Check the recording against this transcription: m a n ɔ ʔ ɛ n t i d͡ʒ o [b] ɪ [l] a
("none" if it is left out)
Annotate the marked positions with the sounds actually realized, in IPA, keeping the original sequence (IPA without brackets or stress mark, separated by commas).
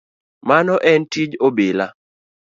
b, l